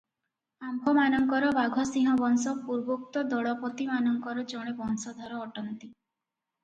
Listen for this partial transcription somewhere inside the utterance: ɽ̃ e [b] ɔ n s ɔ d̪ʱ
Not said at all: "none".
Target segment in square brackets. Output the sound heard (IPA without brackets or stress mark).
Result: b